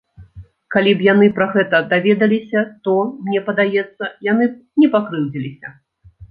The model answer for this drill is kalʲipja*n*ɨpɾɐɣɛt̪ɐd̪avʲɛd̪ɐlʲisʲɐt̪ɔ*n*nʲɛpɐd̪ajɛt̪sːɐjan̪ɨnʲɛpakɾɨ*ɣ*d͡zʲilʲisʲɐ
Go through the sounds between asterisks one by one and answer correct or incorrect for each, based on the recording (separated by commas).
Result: correct, incorrect, incorrect